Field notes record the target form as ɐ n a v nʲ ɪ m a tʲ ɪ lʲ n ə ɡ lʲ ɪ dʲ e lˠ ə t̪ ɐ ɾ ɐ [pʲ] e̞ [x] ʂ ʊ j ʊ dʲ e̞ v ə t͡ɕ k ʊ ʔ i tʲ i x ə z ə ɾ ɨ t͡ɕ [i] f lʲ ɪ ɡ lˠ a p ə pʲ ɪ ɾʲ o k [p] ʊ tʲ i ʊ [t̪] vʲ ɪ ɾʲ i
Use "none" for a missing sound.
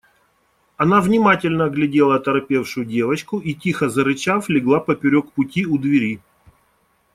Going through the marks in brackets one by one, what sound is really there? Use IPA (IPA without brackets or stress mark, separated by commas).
pʲ, f, a, p, d̪